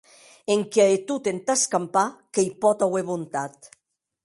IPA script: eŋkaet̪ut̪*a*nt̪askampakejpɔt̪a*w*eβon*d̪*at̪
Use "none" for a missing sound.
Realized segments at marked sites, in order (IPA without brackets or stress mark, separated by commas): e, w, t̪